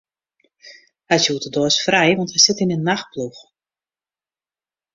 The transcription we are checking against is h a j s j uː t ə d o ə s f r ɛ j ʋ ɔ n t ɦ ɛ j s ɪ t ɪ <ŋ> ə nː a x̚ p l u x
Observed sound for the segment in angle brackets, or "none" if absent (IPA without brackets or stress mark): n